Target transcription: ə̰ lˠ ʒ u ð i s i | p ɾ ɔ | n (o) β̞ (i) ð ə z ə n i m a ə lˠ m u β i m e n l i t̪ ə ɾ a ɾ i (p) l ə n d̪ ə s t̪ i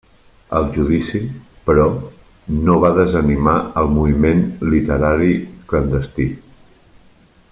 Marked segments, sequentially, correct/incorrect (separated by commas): correct, incorrect, incorrect